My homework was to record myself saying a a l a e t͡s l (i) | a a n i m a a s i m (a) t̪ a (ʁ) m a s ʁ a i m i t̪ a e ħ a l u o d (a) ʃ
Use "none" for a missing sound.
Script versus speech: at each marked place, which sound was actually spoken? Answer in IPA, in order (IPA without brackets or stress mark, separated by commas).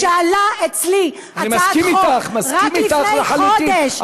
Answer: i, i, χ, e